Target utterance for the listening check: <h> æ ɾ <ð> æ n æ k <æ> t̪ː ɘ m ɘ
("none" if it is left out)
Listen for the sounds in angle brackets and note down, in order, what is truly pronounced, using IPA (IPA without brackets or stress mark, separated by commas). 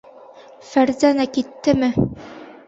f, z, i